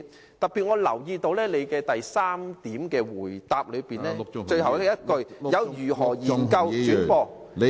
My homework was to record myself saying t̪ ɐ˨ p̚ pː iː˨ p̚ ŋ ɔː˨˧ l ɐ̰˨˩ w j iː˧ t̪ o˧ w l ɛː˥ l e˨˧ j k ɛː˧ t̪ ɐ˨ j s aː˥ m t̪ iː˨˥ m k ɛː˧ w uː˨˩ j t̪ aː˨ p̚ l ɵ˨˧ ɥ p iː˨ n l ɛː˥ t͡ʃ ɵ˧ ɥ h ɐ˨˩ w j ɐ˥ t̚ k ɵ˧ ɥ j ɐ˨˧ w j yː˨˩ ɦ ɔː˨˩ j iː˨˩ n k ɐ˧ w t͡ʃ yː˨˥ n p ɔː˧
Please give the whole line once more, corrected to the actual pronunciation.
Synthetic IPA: t̪ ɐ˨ k̚ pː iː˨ t̚ ŋ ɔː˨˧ l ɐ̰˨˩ w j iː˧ t̪ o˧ w l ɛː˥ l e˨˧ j k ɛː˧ t̪ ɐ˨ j s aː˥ m t̪ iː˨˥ m k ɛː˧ w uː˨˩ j t̪ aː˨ p̚ l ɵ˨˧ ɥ p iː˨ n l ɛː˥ t͡ʃ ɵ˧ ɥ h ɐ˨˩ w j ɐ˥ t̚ k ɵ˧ ɥ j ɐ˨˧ w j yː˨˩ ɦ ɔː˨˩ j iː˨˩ n k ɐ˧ w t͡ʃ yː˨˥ n p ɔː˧